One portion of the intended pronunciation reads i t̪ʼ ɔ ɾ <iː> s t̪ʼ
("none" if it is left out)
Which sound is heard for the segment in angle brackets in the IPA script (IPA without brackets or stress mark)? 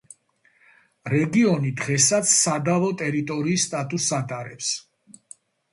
iː